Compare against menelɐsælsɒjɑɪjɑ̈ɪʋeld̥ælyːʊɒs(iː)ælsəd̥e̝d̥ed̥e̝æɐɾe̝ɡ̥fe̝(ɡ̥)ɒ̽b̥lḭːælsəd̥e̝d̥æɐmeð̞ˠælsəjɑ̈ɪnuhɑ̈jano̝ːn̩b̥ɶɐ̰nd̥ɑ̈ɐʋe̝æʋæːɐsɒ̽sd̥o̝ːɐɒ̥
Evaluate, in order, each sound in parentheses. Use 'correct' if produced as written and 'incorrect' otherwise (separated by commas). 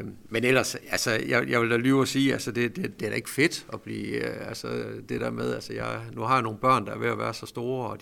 correct, incorrect